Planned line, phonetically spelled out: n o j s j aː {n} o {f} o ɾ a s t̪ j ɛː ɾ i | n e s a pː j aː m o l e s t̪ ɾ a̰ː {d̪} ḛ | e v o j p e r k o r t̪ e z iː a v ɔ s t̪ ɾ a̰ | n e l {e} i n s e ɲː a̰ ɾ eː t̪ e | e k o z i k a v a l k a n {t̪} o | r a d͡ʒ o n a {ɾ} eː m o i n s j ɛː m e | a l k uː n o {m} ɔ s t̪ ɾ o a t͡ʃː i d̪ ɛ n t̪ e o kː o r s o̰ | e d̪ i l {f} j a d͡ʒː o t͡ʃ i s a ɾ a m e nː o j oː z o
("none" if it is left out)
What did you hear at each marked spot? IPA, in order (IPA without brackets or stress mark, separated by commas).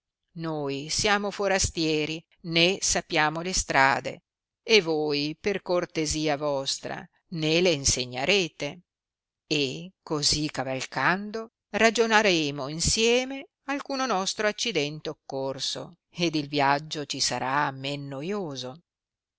m, f, d̪, e, d̪, ɾ, n, v